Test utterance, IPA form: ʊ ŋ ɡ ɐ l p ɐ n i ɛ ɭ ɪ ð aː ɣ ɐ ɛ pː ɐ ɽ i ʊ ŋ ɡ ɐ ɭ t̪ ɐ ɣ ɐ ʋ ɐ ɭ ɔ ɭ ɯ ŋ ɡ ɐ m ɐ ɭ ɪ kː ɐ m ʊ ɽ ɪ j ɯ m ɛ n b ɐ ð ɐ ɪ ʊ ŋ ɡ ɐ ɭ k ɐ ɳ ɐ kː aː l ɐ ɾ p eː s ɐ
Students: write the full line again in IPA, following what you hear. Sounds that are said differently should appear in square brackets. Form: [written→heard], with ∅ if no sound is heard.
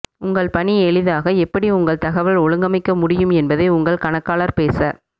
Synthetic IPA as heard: ʊ ŋ ɡ ɐ [l→ɭ] p ɐ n i ɛ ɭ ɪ ð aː ɣ ɐ ɛ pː ɐ ɽ i ʊ ŋ ɡ ɐ ɭ t̪ ɐ ɣ ɐ ʋ ɐ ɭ ɔ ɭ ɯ ŋ ɡ ɐ m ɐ [ɭ→∅] ɪ kː ɐ m ʊ ɽ ɪ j ɯ m ɛ n b ɐ ð ɐ ɪ ʊ ŋ ɡ ɐ ɭ k ɐ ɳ ɐ kː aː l ɐ ɾ p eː s ɐ